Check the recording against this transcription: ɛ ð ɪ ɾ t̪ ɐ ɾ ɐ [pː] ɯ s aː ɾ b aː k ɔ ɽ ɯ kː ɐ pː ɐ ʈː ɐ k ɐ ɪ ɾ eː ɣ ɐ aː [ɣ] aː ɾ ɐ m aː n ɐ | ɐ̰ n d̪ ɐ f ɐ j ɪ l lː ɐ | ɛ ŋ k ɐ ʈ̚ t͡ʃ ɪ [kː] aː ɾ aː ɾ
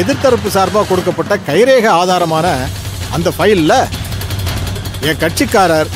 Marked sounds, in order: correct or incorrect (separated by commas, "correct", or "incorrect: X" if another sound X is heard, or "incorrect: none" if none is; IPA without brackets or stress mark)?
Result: correct, incorrect: ð, correct